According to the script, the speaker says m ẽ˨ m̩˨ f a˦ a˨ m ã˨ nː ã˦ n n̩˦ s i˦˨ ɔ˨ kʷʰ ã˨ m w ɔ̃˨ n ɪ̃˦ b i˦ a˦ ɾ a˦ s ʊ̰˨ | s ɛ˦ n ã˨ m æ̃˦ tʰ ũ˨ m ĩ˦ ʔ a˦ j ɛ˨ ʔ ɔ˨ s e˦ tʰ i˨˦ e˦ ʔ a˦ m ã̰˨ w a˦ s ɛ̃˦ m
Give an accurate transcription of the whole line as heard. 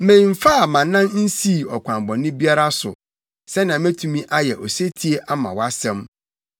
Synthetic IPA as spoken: m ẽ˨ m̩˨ f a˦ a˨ m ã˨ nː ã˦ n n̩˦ s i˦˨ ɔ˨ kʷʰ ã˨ m b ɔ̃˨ n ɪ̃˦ b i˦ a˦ ɾ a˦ s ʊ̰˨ | s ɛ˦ n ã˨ m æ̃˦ tʰ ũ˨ m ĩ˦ ʔ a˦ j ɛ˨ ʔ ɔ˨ s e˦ tʰ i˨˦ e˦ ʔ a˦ m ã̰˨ w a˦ s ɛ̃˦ m